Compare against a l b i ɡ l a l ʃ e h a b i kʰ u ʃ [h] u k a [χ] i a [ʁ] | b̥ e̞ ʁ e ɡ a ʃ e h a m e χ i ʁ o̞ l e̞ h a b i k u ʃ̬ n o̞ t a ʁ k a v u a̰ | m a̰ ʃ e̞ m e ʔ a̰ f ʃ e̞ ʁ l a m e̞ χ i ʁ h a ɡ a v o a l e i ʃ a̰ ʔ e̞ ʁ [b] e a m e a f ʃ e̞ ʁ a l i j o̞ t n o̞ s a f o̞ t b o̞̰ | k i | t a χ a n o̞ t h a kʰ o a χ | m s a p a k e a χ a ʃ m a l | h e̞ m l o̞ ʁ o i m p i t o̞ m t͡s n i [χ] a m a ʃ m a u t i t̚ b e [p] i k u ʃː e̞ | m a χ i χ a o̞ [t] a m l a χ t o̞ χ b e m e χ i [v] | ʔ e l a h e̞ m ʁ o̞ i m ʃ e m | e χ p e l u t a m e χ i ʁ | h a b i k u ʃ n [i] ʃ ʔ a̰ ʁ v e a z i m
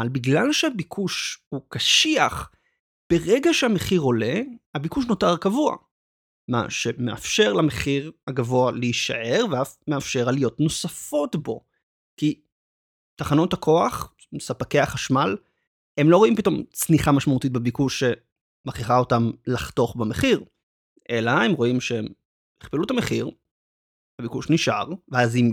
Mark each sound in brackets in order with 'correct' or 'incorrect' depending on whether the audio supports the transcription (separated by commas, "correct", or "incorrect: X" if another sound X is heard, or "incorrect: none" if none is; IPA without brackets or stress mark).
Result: correct, incorrect: ʃ, incorrect: χ, incorrect: v, correct, incorrect: b, correct, incorrect: ʁ, correct